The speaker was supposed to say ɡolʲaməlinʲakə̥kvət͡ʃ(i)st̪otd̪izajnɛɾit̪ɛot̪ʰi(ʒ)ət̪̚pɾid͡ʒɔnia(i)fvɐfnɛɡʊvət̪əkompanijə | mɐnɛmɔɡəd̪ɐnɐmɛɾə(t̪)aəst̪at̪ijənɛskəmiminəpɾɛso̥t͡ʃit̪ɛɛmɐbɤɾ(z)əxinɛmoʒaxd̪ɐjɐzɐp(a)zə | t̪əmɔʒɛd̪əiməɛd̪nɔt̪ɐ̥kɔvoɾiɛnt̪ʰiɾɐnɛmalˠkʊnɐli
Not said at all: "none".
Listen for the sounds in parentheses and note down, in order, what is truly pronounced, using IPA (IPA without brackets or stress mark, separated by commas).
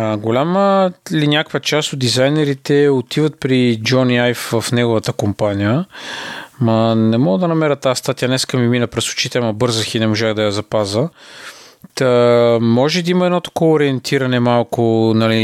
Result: a, v, j, t̪, z, a